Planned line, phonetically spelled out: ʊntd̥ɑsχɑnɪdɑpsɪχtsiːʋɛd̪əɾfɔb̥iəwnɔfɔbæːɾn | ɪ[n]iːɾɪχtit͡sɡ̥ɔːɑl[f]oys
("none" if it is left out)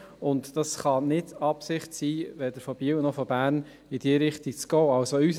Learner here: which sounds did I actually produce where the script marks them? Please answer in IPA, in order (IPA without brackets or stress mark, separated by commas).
d, s